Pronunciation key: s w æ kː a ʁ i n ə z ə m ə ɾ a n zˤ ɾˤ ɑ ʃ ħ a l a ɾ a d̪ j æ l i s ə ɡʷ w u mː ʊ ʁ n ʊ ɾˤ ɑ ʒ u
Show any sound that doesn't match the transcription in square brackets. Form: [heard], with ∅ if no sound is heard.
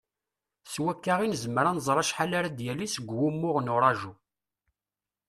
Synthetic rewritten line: s w æ kː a ʁ i n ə z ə m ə ɾ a n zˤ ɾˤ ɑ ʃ ħ a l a ɾ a d̪ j æ l i s ə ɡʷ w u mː ʊ ʁ n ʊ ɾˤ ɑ ʒ u

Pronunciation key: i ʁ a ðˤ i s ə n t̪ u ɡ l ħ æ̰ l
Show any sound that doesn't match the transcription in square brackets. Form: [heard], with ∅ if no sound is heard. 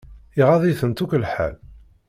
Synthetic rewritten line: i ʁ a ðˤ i [θ] ə n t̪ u [k] l ħ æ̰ l

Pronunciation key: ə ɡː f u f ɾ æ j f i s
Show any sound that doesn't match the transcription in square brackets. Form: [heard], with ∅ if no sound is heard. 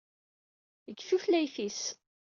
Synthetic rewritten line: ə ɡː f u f [l] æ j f i s

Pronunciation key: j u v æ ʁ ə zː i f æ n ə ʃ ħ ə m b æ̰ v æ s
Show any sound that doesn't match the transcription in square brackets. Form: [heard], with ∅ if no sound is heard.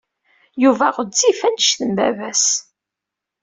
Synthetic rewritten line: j u v æ ʁ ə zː i f æ n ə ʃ [θ] ə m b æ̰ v æ s

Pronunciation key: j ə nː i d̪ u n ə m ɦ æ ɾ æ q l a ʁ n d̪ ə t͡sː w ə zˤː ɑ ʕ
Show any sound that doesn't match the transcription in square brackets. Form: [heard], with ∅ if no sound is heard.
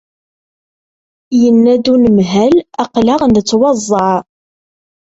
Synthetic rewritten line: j ə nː [æ] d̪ u n ə m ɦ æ [l] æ q l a ʁ n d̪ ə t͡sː w [ɑ] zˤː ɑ ʕ

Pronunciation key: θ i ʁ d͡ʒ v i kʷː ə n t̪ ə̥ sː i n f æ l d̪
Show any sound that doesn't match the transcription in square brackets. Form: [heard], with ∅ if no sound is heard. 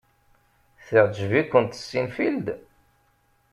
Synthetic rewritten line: θ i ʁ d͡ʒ v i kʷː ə n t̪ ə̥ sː i n f [i] l d̪

